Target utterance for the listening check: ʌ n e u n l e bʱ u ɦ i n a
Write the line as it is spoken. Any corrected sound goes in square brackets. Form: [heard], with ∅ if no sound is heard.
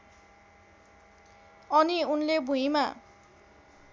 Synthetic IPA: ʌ n [i] u n l e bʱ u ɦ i [m] a